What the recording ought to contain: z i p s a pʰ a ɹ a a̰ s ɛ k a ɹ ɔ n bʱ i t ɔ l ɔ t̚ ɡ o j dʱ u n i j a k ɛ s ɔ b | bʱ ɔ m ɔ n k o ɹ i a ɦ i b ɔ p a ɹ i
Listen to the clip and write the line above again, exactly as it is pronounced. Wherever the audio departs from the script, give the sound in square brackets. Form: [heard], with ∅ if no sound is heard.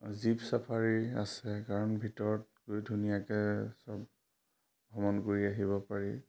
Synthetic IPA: z i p s a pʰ a ɹ [i] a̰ s ɛ k a ɹ ɔ n bʱ i t ɔ [ɹ] ɔ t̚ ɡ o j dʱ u n i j a k ɛ s ɔ b | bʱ ɔ m ɔ n k o ɹ i a ɦ i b ɔ p a ɹ i